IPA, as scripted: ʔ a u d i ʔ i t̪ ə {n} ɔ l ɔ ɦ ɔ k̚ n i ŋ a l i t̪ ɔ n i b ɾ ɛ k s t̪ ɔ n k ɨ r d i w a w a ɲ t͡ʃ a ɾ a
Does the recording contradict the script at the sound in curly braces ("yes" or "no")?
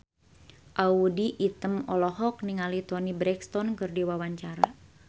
yes